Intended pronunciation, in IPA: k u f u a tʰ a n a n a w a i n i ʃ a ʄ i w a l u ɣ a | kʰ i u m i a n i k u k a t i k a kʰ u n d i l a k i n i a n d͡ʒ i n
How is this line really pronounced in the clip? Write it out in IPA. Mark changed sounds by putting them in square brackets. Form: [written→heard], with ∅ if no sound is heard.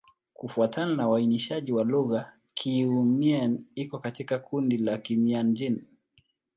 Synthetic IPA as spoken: k u f u a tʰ a n a n a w a i n i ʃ a ʄ i w a l u ɣ a | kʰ i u m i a n i k [u→ɔ] k a t i k a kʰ u n d i l a k i [n→m] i a n d͡ʒ i n